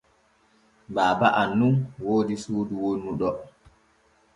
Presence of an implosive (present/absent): present